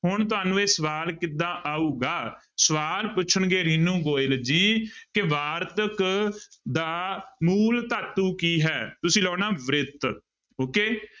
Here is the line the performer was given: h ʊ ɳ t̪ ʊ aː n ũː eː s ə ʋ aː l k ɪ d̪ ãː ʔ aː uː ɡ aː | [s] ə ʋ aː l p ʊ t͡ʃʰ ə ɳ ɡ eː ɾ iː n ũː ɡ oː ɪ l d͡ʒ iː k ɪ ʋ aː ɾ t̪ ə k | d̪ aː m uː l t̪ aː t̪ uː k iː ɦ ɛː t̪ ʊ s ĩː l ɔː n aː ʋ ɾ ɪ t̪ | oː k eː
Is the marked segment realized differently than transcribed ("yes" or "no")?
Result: no